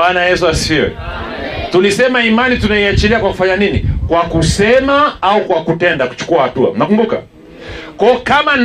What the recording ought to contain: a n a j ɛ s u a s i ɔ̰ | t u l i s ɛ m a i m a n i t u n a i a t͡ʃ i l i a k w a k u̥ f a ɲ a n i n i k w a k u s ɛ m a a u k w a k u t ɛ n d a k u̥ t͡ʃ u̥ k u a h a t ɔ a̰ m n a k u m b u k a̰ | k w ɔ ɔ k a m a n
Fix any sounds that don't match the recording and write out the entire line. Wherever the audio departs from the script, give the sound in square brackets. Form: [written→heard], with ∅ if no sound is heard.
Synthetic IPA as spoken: a n a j ɛ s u a s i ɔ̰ | t u l i s ɛ m a i m a n i t u n a i a t͡ʃ i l i a k w a k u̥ f a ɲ a n i n i k w a k u s ɛ m a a u k w a k u t ɛ n d a k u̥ t͡ʃ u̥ k u a h a t [ɔ→u] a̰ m n a k u m b u k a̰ | k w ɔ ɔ k a m a n